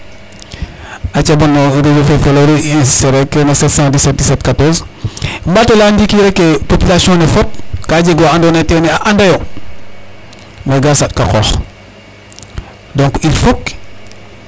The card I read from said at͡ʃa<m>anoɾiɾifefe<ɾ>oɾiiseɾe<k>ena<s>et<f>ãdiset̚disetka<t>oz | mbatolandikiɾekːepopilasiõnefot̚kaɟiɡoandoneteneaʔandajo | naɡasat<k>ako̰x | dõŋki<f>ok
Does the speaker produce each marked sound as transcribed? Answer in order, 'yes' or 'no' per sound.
no, no, yes, yes, no, yes, yes, yes

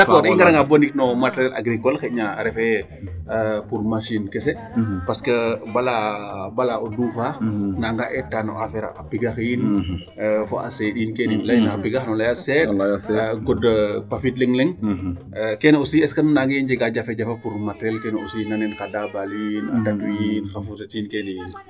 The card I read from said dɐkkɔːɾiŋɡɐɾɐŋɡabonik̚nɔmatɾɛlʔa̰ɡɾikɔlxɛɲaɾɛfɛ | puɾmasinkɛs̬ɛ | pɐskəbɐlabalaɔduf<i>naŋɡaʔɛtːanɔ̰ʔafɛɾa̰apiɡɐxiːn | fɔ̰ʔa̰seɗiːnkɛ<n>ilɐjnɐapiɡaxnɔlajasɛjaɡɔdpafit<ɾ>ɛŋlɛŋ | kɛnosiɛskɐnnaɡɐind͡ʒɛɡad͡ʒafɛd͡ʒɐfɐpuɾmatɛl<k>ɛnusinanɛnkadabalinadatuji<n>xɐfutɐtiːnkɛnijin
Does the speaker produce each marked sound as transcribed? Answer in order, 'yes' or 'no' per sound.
no, yes, no, yes, yes

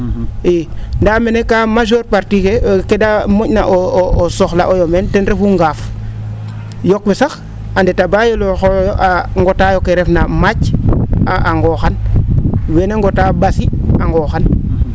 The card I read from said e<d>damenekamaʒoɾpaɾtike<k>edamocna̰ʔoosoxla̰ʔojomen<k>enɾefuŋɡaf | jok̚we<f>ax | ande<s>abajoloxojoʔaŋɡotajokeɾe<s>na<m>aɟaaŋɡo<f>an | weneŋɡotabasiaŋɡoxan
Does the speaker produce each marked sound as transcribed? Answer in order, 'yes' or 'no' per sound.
no, yes, no, no, no, no, yes, no

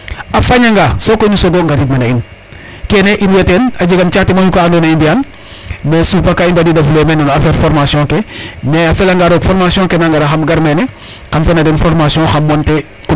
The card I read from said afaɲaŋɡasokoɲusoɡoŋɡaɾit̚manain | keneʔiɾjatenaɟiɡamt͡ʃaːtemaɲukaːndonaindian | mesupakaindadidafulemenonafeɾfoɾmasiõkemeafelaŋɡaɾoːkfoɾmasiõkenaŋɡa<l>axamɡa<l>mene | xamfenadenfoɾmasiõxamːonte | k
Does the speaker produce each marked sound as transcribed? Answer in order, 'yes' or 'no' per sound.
no, no

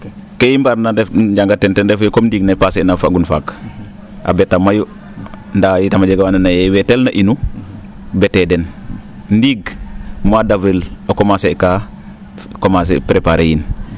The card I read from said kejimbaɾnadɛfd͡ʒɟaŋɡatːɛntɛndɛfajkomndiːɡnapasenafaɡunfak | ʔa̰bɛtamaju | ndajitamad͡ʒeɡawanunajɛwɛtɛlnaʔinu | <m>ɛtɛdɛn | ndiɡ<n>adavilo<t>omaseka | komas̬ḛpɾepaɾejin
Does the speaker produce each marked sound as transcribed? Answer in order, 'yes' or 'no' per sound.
no, no, no

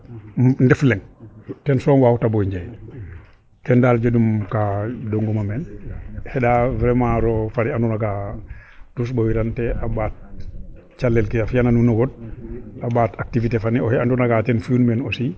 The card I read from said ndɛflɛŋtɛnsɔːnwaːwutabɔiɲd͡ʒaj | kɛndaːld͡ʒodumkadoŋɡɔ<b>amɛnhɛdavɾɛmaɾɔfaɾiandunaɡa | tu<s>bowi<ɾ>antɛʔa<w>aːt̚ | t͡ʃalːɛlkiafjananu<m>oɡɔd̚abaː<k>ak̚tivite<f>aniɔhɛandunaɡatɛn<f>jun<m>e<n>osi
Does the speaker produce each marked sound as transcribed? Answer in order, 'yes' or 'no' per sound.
no, yes, yes, no, no, no, yes, yes, yes, yes

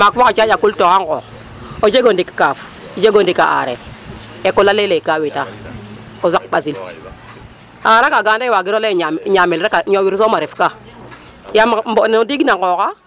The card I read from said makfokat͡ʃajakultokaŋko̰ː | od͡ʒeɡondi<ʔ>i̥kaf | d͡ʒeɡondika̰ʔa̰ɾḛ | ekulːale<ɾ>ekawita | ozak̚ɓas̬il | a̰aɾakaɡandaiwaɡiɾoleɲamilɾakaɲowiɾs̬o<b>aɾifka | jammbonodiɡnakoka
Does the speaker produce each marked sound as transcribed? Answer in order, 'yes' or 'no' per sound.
no, no, no

